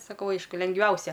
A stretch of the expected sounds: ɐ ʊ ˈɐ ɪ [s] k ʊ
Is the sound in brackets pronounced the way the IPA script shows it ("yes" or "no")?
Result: no